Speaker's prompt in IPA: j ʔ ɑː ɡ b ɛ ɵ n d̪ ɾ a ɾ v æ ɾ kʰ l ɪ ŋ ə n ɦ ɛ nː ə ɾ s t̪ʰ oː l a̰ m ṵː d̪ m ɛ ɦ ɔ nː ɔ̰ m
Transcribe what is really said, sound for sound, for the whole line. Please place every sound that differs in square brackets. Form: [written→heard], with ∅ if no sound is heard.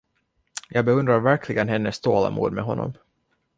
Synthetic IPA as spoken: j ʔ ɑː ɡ b ɛ ɵ n d̪ ɾ a ɾ v æ ɾ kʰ l ɪ [ŋ→ɡ] ə n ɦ ɛ nː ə [ɾ→∅] s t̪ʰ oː l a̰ m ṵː d̪ m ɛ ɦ ɔ nː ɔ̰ m